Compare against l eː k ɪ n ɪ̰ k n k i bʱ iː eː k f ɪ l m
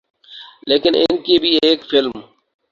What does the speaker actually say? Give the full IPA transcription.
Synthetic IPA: l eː k ɪ n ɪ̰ n k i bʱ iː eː k f ɪ l m